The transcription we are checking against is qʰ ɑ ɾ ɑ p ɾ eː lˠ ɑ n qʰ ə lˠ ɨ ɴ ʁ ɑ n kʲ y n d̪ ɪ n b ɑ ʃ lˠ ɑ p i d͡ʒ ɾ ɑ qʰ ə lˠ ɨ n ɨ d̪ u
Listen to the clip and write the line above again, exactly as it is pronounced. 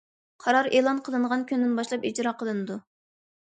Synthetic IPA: qʰ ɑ ɾ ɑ ɾ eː lˠ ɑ n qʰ ə lˠ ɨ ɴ ʁ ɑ n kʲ y n d̪ ɪ n b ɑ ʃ lˠ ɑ p i d͡ʒ ɾ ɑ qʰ ə lˠ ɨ n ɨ d̪ u